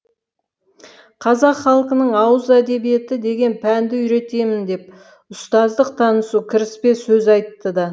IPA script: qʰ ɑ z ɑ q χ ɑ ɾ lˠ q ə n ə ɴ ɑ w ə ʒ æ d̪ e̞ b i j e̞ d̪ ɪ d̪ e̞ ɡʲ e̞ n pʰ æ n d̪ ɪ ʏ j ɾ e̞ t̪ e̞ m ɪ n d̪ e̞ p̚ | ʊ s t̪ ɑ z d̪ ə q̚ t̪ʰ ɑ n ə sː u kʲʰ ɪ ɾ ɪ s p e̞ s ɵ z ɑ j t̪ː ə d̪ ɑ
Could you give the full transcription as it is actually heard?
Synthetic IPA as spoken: qʰ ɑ z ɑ q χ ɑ lˠ q ə n ə ɴ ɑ w ə z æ d̪ e̞ b i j e̞ t̪ ɪ d̪ e̞ ɡʲ e̞ n pʰ æ n d̪ ɪ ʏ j ɾ e̞ t̪ e̞ m ɪ n d̪ e̞ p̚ | ʊ s t̪ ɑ z d̪ ə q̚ t̪ʰ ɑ n ə s u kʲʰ ɪ ɾ ɪ s p e̞ s ɵ z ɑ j t̪ː ə d̪ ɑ